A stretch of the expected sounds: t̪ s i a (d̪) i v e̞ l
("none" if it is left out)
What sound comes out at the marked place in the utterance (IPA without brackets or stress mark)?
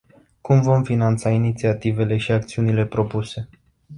t̪